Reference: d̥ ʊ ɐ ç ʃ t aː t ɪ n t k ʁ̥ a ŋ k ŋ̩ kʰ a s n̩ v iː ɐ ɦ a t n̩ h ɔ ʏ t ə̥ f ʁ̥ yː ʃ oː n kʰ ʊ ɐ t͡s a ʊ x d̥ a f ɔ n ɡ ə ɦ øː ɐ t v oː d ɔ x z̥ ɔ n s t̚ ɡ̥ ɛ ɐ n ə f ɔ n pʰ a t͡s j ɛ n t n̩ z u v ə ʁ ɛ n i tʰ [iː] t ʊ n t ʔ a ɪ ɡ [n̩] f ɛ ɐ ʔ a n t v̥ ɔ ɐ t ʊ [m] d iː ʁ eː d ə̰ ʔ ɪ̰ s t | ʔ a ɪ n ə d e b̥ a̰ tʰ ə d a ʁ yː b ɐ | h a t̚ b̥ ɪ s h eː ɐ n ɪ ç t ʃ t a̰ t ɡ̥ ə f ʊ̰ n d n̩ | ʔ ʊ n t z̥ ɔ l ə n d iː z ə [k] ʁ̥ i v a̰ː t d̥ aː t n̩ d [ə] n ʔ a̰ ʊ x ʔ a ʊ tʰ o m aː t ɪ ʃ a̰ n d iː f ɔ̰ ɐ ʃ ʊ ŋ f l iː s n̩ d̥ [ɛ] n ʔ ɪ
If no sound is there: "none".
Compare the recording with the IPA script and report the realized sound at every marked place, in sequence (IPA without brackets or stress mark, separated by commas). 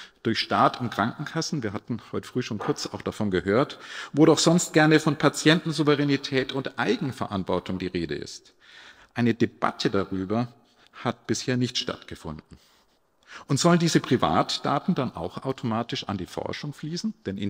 ɛː, ŋ̩, ŋ, p, a, ɛ